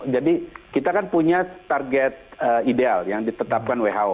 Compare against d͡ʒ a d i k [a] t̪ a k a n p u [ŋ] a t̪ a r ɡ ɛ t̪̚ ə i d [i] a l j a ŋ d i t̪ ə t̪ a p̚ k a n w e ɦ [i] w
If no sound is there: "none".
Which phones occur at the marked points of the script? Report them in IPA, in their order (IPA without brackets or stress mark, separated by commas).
i, ɲ, e, a